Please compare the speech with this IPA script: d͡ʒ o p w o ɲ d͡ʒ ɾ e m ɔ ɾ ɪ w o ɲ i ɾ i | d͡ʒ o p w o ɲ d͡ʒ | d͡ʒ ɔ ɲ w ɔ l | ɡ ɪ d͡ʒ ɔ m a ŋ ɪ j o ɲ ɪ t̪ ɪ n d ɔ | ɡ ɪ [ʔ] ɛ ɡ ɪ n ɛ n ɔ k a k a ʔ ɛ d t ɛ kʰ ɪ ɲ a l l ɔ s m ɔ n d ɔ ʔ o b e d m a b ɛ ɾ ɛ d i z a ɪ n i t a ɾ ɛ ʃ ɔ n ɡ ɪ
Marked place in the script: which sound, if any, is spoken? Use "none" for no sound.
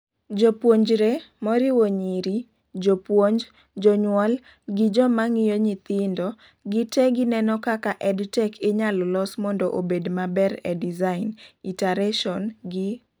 t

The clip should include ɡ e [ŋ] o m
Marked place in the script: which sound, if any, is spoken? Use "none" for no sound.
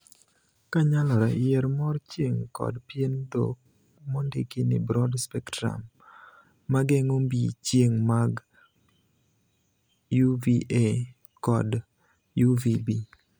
ŋ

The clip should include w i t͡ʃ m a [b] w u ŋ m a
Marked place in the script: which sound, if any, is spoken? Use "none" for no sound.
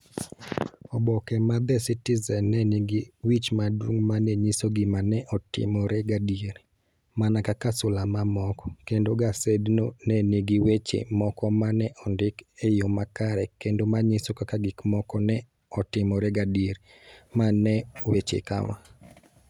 d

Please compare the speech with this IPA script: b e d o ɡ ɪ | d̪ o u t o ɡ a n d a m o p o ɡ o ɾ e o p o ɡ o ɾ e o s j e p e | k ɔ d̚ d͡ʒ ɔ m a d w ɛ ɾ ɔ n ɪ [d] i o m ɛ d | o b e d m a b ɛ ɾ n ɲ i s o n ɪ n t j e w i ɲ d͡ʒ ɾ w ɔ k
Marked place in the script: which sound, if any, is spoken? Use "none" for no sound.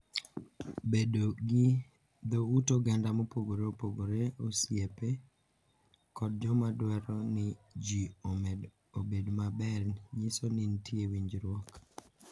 d͡ʒ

